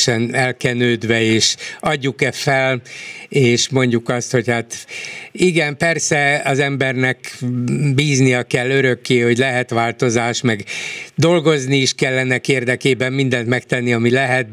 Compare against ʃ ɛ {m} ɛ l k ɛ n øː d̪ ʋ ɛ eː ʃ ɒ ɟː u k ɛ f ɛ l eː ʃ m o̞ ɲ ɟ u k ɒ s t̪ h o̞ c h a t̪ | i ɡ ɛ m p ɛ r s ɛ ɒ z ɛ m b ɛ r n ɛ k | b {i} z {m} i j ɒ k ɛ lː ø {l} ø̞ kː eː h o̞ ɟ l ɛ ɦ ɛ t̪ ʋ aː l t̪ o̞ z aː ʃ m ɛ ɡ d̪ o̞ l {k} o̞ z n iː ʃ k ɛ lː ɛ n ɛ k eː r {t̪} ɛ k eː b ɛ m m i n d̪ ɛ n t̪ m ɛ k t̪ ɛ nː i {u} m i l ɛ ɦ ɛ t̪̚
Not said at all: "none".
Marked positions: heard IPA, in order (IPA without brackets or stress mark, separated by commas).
n, iː, n, ɾ, ɡ, d̪, ɒ